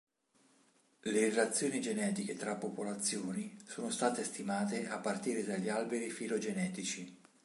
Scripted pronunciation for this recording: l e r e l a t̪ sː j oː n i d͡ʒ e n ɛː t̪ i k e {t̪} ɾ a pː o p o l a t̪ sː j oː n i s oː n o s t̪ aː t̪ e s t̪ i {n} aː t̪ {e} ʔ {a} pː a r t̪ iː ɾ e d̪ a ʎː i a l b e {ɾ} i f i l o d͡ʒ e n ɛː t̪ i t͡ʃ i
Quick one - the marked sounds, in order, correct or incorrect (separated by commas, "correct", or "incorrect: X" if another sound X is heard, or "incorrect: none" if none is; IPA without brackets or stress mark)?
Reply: correct, incorrect: m, correct, correct, correct